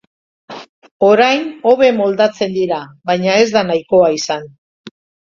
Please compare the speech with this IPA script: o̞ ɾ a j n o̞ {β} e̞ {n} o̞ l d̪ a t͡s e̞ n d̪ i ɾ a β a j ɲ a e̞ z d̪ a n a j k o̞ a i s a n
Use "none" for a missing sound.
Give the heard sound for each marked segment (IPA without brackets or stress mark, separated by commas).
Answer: β, m